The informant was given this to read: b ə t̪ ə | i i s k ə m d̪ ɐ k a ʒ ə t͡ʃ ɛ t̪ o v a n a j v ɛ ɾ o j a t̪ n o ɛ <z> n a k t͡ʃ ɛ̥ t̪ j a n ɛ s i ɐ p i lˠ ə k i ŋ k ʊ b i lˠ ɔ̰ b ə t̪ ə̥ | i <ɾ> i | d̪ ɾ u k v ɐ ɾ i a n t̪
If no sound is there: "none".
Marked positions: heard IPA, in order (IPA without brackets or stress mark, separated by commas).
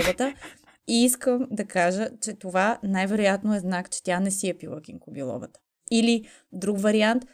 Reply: z, l